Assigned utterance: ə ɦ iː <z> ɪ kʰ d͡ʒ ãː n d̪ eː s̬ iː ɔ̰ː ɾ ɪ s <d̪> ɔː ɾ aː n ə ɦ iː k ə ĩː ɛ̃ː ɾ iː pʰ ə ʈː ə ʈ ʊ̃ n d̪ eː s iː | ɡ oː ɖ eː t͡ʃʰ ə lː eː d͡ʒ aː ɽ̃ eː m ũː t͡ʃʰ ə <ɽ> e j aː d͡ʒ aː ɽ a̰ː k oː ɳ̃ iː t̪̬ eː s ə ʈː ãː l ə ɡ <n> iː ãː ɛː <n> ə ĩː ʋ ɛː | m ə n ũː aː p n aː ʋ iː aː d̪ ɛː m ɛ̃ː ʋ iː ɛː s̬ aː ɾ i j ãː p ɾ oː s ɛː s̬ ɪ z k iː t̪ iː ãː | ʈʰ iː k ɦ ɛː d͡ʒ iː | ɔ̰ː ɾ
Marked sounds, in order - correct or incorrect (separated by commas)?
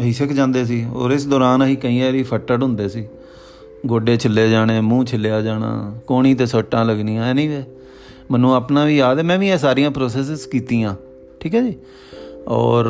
incorrect, correct, incorrect, correct, correct